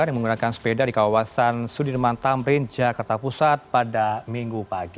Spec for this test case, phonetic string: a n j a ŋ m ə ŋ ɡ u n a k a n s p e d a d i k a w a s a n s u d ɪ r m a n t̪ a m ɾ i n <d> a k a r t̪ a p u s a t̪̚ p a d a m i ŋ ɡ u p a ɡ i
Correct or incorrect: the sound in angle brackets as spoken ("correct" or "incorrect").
incorrect